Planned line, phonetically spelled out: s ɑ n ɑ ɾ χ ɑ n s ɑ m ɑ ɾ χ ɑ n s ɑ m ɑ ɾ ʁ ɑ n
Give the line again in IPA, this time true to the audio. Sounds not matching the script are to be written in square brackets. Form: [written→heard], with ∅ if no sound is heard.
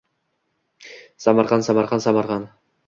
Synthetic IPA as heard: s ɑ [n→m] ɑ ɾ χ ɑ n s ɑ m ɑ ɾ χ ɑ n s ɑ m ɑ ɾ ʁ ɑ n